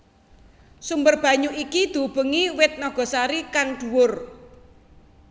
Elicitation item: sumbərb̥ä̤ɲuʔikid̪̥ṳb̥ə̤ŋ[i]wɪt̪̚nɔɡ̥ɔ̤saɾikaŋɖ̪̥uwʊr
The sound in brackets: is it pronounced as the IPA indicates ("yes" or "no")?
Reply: yes